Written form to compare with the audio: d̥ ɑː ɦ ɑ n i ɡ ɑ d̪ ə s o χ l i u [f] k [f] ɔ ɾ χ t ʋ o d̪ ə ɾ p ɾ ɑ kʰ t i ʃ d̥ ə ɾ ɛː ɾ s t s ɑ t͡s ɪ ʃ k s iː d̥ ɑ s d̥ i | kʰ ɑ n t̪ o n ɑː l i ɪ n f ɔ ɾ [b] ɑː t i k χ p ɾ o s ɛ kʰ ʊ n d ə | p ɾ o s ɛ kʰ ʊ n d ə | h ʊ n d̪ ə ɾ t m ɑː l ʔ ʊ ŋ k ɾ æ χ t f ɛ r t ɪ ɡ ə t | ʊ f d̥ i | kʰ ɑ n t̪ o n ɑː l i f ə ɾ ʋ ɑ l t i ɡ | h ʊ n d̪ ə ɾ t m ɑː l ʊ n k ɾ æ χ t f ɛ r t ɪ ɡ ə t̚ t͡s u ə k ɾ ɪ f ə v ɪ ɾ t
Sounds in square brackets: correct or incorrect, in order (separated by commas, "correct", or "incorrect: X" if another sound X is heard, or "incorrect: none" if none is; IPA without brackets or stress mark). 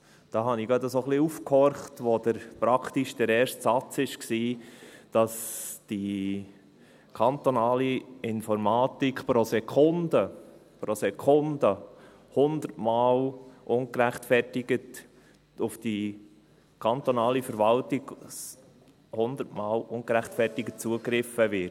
correct, incorrect: h, incorrect: m